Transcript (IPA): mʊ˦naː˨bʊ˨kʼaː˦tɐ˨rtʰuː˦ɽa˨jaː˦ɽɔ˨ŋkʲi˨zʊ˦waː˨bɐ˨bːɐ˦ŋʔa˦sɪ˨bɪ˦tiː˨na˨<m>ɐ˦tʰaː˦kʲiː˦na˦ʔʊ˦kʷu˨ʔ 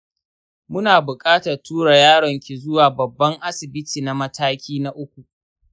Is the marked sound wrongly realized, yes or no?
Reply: no